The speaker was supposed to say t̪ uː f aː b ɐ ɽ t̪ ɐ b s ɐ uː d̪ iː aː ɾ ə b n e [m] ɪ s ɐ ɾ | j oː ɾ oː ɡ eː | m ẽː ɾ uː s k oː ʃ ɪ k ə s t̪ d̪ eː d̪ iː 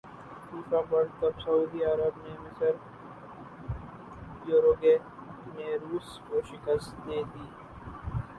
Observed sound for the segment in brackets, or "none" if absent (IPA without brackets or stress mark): m